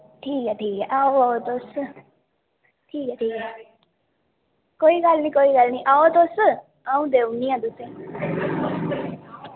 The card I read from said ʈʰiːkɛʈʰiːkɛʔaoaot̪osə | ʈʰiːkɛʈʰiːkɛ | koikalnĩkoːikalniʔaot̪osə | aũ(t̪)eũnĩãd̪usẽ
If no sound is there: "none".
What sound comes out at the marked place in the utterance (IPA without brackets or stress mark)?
d̪